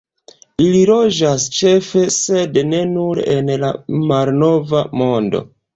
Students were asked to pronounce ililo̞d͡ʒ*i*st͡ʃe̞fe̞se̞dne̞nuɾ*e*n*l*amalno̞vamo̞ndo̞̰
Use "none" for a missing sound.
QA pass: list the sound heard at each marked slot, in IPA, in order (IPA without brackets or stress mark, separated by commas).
a, e, l